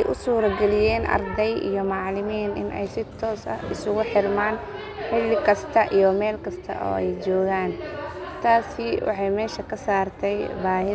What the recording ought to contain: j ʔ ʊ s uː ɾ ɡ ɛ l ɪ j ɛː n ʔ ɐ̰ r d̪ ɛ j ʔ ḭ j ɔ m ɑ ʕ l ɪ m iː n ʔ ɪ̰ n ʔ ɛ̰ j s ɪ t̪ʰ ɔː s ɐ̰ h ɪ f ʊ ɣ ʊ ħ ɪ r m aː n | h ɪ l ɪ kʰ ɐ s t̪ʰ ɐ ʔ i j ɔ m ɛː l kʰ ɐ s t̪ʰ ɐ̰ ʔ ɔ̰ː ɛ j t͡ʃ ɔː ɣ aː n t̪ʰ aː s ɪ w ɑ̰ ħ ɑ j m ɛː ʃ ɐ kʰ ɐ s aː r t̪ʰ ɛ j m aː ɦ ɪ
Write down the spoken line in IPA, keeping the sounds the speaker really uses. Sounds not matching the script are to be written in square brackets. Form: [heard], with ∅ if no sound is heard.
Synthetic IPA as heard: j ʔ ʊ s uː ɾ ɡ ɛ l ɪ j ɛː n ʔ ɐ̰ r d̪ ɛ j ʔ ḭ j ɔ m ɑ ʕ l ɪ m iː n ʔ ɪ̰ n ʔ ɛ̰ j s ɪ t̪ʰ ɔː s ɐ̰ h ɪ [s] ʊ ɣ ʊ ħ ɪ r m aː n | [ħ] ɪ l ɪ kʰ ɐ s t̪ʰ ɐ ʔ i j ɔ m ɛː l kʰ ɐ s t̪ʰ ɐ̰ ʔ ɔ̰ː ɛ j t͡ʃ ɔː ɣ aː n t̪ʰ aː s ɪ w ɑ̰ ħ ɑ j m ɛː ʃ ɐ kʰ ɐ s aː r t̪ʰ ɛ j [b] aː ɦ ɪ